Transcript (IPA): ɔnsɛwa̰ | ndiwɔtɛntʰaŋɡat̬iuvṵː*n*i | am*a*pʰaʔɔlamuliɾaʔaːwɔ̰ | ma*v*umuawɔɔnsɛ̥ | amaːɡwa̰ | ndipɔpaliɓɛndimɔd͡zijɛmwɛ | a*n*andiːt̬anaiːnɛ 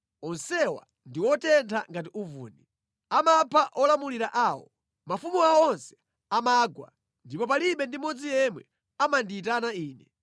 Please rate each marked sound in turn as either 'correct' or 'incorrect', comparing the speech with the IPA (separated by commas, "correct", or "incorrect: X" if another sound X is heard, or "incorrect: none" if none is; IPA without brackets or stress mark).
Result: correct, correct, incorrect: f, incorrect: m